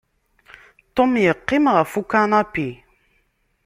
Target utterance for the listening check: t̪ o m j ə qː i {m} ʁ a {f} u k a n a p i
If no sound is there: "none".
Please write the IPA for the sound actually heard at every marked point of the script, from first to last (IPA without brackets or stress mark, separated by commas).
m, f